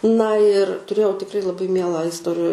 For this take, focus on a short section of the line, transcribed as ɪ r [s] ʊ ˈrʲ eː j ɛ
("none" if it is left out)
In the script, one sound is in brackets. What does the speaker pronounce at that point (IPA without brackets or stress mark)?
t